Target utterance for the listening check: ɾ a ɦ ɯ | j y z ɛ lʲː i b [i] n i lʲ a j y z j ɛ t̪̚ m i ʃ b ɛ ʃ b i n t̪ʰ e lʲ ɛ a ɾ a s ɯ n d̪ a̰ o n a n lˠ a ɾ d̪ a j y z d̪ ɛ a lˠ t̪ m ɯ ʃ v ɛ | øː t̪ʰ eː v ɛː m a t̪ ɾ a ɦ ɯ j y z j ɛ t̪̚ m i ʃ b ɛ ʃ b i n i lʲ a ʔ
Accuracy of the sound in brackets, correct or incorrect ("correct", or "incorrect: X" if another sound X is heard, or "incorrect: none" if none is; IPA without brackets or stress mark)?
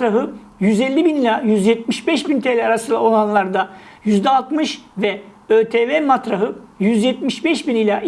correct